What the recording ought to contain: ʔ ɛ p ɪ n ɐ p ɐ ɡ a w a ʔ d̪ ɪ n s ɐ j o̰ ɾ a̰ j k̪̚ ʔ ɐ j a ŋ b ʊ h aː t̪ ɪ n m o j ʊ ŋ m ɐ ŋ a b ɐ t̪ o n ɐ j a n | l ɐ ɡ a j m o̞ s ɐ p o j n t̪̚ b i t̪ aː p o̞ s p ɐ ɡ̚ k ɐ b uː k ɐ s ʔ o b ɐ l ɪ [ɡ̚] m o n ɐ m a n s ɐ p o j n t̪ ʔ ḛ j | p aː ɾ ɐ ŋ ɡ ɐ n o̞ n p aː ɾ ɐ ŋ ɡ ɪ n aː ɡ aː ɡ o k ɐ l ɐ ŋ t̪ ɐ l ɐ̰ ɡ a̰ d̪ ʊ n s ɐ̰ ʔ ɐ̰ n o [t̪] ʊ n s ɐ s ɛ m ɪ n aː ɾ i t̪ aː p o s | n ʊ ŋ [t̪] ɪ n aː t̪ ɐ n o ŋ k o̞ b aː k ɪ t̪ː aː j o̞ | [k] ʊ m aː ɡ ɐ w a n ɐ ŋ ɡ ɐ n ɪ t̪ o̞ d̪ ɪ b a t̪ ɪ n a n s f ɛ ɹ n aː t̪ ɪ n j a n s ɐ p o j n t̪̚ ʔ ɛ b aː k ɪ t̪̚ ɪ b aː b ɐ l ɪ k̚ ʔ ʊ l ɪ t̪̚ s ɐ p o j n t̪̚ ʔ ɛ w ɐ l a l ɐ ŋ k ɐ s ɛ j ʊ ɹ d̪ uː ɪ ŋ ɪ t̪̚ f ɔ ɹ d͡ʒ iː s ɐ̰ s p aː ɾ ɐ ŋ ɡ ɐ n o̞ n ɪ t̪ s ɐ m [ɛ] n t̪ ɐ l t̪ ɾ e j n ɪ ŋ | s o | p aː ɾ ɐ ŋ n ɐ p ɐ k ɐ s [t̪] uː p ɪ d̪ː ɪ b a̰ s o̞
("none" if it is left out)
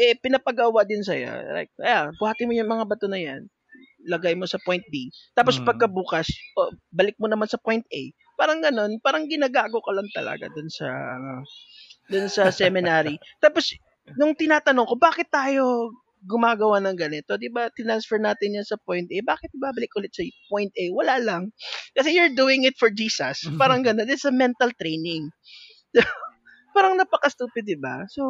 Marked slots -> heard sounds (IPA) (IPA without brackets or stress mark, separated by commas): k̚, d̪, t̪, ɡ, ɛ, t̪